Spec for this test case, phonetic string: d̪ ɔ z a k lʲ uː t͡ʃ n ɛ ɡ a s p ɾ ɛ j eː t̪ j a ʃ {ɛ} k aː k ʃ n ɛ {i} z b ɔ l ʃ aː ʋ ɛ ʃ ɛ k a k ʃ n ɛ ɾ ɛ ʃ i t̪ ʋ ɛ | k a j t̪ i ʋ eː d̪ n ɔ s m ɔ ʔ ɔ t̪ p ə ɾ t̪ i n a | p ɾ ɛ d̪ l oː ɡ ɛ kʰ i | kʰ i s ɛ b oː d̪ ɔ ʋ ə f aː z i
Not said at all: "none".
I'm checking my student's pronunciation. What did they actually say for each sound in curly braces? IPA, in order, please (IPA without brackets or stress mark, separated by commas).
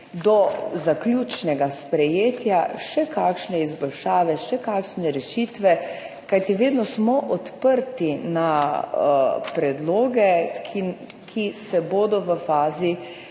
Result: ɛ, i